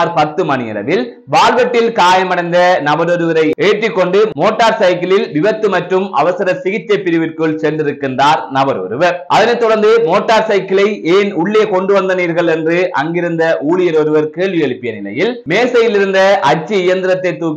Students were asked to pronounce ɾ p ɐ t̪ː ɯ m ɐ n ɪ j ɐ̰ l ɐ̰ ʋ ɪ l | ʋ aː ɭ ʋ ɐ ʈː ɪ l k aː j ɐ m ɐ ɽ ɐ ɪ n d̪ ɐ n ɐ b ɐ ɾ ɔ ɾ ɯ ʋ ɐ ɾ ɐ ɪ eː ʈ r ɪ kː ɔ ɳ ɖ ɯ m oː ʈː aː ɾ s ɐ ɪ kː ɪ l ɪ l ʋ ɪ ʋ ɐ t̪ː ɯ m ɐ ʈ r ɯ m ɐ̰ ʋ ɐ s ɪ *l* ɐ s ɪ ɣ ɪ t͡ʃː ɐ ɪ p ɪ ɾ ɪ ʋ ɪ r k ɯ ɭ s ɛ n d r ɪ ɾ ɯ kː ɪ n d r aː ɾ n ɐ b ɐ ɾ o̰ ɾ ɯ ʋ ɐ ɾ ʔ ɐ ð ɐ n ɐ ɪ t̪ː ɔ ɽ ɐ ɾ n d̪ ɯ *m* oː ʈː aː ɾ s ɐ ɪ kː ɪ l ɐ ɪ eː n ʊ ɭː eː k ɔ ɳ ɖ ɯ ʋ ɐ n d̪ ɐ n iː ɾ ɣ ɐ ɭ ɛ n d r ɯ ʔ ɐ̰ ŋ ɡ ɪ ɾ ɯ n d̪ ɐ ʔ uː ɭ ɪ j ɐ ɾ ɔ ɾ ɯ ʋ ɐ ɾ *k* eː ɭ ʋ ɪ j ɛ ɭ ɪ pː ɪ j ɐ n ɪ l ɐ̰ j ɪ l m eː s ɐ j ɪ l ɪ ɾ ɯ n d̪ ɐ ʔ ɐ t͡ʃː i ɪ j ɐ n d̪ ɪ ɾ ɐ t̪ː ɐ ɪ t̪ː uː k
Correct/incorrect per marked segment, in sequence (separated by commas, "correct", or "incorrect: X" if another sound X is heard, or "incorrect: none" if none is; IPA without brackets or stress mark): incorrect: ɾ, correct, correct